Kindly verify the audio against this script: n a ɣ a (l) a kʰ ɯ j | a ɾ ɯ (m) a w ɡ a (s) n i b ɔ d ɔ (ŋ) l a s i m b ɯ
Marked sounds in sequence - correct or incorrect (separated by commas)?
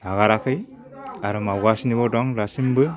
incorrect, correct, correct, correct